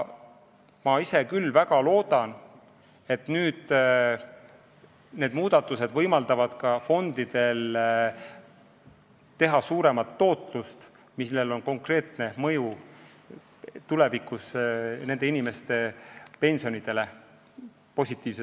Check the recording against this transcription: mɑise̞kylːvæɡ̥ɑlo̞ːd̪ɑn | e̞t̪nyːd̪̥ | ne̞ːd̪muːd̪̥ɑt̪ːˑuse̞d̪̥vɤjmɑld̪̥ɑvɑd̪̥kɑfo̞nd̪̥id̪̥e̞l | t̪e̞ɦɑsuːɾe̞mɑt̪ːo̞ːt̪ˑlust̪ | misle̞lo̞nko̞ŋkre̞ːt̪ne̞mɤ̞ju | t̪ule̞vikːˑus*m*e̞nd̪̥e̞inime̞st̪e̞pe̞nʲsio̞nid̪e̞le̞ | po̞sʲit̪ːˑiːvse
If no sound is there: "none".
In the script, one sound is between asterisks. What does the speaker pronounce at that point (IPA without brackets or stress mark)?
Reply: n